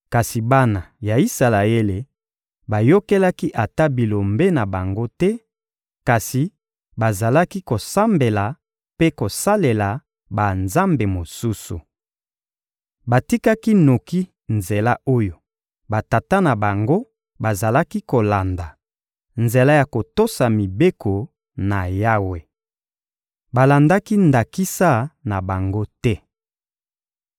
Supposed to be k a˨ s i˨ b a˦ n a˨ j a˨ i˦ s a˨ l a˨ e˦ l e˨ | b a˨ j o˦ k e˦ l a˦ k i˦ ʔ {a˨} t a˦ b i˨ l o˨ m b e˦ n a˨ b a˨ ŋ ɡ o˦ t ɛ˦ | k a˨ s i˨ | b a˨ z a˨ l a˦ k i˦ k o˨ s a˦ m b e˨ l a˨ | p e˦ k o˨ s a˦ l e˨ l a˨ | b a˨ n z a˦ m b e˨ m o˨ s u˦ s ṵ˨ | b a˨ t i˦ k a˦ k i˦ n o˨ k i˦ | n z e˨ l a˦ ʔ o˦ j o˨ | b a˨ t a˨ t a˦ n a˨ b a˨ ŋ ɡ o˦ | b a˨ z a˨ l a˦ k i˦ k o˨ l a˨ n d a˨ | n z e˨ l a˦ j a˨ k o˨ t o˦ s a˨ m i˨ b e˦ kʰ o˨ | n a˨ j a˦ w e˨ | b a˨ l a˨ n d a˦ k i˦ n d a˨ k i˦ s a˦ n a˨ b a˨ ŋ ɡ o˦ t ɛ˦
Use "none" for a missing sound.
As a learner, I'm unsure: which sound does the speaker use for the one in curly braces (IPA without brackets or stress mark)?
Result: a˨